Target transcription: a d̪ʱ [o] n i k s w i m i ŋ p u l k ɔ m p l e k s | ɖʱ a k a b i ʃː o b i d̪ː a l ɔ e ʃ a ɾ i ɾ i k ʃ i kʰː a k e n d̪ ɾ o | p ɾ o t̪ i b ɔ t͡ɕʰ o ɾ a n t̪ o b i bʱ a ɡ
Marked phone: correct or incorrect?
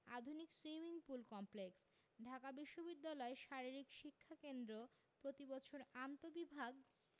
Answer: incorrect